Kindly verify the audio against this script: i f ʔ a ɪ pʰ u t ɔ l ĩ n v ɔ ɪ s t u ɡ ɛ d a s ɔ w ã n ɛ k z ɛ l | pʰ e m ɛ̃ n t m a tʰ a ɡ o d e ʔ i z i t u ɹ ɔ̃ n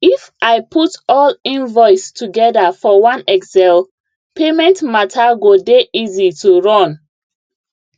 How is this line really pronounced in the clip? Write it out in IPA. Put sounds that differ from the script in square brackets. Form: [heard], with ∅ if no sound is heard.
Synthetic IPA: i f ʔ a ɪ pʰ u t ɔ l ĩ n v ɔ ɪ s t u ɡ ɛ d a [f] ɔ w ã n ɛ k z ɛ l | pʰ e m ɛ̃ n t m a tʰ a ɡ o d e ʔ i z i t u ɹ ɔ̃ n